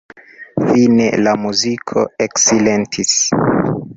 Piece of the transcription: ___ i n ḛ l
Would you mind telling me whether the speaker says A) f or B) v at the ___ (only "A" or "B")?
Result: A